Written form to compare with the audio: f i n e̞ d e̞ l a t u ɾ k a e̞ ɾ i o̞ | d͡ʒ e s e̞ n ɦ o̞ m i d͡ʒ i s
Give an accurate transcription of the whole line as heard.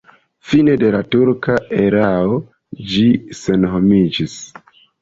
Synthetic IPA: f i n e̞ d e̞ l a t u ɾ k a e̞ ɾ a o̞ | d͡ʒ i s e̞ n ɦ o̞ m i d͡ʒ i s